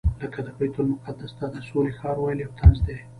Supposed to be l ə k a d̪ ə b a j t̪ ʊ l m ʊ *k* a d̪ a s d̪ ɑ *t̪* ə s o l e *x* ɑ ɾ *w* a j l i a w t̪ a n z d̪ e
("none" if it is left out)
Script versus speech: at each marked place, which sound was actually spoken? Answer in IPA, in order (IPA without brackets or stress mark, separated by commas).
q, d̪, x, w